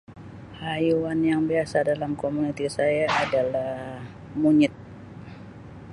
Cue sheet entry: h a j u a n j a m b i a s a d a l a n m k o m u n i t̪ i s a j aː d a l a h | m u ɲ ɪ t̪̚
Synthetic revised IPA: h a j u a n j a ŋ b i a s a d a l a m k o m u n i t̪ i s a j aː d a l a h | m u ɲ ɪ t̪̚

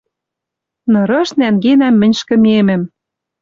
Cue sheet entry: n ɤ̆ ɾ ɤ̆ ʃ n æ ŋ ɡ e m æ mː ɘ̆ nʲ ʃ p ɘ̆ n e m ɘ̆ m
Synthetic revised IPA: n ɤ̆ ɾ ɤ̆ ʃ n æ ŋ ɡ e n æ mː ɘ̆ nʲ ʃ k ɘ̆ m e m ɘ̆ m

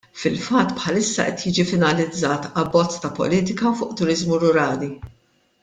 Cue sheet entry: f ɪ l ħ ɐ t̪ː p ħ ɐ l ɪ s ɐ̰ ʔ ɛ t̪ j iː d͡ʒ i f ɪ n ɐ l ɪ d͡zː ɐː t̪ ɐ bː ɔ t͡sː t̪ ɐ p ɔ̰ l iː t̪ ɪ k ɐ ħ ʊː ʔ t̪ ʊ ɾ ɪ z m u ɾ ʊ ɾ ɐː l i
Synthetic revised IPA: f ɪ l f ɐ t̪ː p ħ ɐ l ɪ sː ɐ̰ ʔ ɛ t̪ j iː d͡ʒ i f ɪ n ɐ l ɪ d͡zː ɐː t̪ ɐ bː ɔ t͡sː t̪ ɐ p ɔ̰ l iː t̪ ɪ k ɐ f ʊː ʔ t̪ ʊ ɾ ɪ z m u ɾ ʊ ɾ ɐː l i

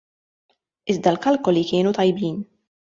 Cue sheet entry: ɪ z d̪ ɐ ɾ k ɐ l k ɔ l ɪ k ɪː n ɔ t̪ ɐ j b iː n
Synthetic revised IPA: ɪ z d̪ ɐ l k ɐ l k ɔ l i k ɪː n u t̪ ɐ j b iː n

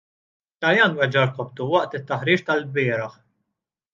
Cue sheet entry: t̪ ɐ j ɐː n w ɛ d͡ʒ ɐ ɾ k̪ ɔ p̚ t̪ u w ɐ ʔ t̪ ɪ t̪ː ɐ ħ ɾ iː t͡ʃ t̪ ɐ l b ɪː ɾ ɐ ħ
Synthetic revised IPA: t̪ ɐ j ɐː n w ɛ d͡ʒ ɐ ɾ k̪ ɔ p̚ t̪ u w ɐ ʔ t̪ ɪ t̪ː ɐ ħ ɾ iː t͡ʃ t̪ ɐ l b ɪː ɾ ɐ ħ

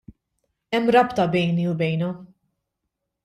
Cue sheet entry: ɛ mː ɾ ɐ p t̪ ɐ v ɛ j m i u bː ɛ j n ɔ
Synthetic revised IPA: ɛ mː ɾ ɐ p t̪ ɐ b ɛ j n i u b ɛ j n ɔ

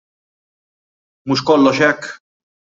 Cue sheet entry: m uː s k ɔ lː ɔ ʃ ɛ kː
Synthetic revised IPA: m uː ʃ k ɔ lː ɔ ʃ ɛ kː

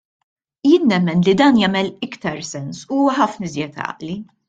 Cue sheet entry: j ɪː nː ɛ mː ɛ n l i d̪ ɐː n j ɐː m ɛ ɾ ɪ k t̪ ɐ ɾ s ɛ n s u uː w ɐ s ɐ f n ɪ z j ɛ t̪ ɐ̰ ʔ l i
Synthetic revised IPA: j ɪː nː ɛ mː ɛ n l i d̪ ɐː n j ɐː m ɛ l ɪ k t̪ ɐ ɾ s ɛ n s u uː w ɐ ħ ɐ f n ɪ z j ɛ t̪ ɐ̰ ʔ l i

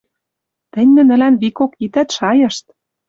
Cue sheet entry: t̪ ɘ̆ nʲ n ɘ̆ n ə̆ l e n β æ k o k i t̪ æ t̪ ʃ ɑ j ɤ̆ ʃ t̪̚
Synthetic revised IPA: t̪ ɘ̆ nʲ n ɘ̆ n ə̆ l æ n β i k o k i t̪ æ t̪ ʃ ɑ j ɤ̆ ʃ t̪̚

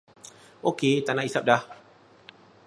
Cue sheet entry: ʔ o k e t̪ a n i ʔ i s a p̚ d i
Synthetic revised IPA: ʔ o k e t̪ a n a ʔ i s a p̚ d a

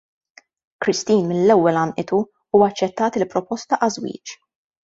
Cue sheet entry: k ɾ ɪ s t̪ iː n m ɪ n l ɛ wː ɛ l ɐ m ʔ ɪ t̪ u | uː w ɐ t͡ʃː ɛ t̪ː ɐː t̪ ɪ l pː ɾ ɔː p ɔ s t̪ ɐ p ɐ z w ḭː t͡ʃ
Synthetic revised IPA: k ɾ ɪ s t̪ iː n m ɪ n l ɛ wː ɛ l ɐ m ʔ ɪ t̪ u | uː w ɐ t͡ʃː ɛ t̪ː ɐː t̪ ɪ l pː ɾ ɔ p ɔ s t̪ ɐ ʔ ɐ z w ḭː t͡ʃ

